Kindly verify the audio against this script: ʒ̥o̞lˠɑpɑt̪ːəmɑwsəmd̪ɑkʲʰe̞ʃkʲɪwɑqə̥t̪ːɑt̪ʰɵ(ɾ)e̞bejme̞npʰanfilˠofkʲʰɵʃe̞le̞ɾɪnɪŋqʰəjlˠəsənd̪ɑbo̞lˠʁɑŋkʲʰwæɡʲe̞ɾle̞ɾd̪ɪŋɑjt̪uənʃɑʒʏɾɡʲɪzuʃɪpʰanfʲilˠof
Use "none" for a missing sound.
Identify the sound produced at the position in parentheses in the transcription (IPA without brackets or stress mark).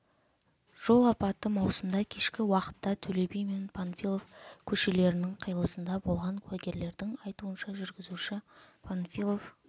l